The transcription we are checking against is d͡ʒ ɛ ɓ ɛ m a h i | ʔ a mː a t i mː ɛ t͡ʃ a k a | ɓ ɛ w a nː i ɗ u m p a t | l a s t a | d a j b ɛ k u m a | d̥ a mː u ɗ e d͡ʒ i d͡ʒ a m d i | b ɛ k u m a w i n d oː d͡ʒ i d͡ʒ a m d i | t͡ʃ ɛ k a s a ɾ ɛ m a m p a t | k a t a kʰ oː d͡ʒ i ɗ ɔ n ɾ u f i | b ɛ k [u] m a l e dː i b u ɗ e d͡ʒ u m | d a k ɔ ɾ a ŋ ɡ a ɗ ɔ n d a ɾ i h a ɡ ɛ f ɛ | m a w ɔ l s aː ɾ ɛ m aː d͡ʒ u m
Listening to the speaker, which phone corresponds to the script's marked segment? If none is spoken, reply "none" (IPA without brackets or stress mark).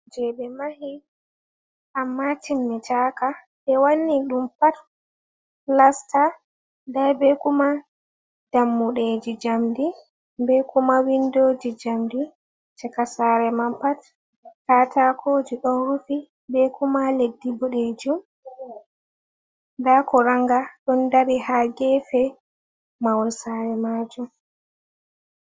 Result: u